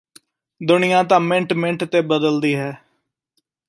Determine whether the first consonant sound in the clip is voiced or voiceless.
voiced